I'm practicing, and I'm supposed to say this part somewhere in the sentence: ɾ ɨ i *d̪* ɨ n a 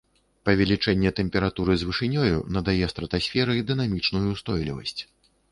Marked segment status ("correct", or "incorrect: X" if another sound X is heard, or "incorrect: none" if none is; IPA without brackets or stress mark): correct